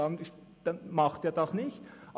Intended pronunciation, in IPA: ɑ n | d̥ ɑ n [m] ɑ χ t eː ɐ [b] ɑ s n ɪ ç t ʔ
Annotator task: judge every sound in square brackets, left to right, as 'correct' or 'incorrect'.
correct, incorrect

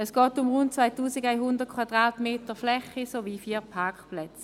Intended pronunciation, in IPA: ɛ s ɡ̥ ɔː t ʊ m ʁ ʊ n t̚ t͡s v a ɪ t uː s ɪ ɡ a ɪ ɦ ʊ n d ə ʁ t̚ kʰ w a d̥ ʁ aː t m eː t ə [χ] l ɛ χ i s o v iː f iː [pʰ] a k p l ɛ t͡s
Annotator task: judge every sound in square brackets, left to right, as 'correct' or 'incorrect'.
incorrect, correct

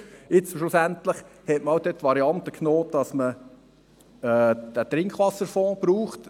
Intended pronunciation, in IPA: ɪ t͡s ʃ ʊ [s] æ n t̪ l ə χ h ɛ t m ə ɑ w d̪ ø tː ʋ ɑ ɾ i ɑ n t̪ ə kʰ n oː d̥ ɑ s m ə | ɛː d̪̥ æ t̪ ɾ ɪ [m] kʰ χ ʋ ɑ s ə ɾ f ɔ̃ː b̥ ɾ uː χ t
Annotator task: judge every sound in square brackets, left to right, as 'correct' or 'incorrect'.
correct, incorrect

